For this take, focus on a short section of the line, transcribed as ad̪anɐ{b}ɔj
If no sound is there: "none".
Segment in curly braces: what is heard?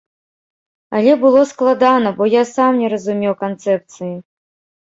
b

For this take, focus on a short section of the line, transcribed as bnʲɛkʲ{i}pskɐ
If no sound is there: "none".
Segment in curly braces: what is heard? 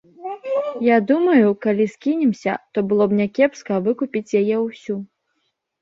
ɛ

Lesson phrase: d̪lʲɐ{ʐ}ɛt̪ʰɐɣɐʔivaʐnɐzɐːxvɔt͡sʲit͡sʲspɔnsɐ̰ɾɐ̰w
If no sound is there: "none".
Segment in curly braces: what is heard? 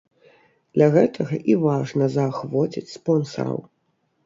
ɣ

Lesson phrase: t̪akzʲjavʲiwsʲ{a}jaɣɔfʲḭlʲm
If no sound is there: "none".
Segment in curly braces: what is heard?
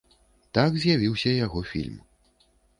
ɐ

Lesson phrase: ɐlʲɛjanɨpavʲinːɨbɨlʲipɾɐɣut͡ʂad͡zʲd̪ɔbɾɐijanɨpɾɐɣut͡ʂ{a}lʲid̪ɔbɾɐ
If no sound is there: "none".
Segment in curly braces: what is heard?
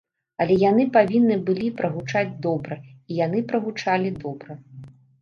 a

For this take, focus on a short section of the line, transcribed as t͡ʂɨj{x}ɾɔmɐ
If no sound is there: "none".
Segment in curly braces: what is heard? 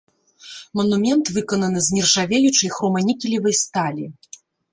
x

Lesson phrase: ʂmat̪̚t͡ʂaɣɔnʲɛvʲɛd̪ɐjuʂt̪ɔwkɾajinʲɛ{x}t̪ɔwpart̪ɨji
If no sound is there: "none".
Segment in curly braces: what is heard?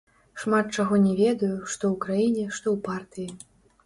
ʂ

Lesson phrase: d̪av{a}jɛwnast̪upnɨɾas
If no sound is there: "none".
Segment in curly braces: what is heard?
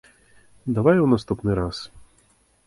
a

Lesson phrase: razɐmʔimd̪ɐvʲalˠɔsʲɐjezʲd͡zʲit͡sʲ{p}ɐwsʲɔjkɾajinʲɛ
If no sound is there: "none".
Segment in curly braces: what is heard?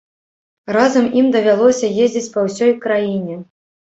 p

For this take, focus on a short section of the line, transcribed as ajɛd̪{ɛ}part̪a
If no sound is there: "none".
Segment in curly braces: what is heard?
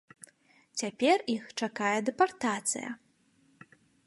ɛ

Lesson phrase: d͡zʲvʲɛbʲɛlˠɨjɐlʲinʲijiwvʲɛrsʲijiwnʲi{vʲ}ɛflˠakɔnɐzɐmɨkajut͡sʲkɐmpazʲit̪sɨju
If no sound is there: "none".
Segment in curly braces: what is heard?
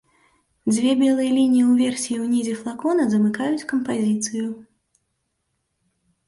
zʲ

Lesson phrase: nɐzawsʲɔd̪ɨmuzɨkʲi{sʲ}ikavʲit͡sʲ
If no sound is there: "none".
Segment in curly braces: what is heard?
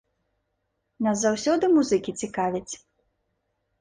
t͡sʲ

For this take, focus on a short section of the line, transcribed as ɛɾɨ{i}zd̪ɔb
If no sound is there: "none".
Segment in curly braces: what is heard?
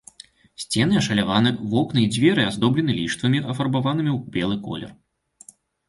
a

